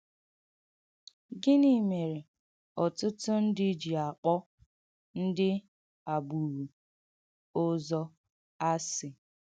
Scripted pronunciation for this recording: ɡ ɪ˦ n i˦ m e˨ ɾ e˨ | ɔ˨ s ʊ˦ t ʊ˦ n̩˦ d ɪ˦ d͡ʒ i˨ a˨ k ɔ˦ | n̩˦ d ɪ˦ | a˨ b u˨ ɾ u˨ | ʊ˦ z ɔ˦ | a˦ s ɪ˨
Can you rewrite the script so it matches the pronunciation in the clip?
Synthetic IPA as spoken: ɡ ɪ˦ n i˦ m e˨ ɾ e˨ | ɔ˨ t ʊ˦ t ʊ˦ n̩˦ d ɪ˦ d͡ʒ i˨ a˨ k͡p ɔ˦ | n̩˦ d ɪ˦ | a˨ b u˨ ɾ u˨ | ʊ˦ z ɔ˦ | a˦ s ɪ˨